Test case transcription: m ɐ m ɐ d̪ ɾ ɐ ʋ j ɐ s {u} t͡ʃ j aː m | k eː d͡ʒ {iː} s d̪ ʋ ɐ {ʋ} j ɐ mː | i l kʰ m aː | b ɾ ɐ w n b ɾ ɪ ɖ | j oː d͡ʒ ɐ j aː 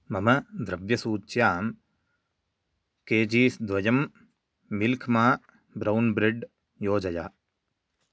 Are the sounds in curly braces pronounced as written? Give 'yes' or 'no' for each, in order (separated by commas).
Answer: no, yes, no